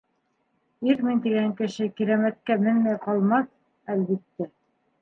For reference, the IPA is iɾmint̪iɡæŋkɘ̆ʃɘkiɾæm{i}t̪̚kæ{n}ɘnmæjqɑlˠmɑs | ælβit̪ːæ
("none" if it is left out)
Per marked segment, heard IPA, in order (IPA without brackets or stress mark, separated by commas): æ, m